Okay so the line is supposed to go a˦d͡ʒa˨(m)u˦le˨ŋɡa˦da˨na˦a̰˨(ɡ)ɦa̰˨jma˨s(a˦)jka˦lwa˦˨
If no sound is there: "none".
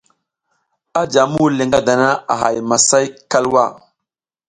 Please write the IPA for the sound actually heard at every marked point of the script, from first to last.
m, none, a˦

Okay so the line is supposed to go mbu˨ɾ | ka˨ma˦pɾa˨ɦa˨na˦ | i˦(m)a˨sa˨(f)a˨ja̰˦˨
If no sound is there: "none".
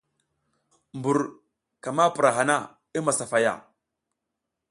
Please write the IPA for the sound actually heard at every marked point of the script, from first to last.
m, f

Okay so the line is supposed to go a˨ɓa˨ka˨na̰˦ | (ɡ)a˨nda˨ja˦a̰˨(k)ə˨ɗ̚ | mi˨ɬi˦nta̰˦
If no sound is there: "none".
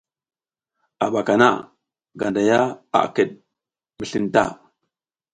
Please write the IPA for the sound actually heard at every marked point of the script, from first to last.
ɡ, k

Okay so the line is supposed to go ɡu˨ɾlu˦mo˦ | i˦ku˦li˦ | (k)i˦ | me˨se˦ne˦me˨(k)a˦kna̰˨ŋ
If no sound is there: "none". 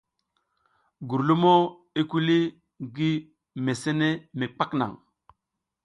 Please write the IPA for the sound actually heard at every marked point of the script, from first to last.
ɡ, k͡p

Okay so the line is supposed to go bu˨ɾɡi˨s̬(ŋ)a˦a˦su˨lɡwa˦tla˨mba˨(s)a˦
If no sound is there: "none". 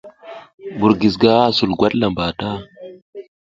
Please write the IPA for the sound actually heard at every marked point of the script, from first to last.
ɡ, t

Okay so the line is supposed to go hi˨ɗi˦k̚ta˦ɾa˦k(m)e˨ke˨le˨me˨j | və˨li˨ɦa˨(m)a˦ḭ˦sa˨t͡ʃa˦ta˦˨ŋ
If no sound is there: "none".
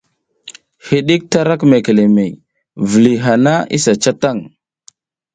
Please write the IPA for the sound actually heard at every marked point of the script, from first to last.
m, n

